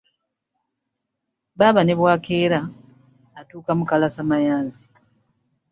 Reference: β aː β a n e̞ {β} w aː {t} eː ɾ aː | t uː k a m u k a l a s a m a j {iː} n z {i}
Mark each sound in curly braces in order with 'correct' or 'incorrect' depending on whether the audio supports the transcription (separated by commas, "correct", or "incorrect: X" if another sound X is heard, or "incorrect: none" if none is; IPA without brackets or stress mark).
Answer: correct, incorrect: k, incorrect: aː, correct